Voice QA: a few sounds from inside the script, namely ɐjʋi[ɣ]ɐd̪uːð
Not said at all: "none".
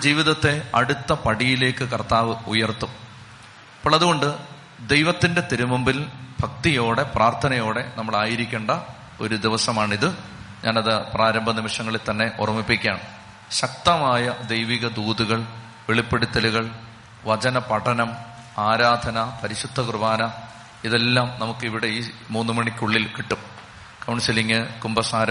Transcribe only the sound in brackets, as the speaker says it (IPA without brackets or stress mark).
ɣ